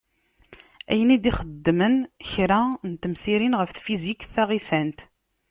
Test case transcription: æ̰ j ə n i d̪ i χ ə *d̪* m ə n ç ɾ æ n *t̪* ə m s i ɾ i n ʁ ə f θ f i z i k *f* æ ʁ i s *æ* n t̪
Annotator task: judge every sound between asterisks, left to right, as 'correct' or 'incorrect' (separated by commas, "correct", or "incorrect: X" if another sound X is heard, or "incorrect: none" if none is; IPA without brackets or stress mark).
incorrect: d̪ː, correct, incorrect: θ, correct